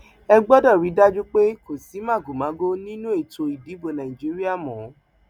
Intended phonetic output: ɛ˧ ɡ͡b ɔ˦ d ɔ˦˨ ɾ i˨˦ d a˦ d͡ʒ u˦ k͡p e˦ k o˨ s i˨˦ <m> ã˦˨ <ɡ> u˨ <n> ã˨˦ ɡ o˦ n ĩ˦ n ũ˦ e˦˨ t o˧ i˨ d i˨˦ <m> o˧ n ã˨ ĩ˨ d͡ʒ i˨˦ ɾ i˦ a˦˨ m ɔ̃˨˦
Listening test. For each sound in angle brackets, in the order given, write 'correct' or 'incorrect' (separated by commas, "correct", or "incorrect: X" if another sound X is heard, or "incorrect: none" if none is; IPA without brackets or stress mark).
correct, correct, incorrect: m, incorrect: b